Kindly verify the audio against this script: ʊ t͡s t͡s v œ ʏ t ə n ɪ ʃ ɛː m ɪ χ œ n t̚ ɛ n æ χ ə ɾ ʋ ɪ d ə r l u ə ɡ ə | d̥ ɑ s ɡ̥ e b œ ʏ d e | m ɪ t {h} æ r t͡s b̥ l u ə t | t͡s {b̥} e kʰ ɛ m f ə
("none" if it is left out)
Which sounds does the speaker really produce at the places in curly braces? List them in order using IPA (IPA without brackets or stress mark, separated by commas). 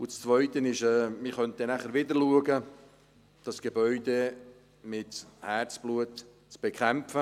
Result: h, b̥